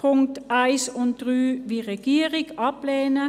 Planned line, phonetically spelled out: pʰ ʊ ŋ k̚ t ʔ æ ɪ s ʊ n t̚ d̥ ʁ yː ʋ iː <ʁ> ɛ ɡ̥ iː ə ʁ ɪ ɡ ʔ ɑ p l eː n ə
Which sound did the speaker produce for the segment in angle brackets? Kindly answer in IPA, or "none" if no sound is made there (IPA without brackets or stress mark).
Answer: ʁ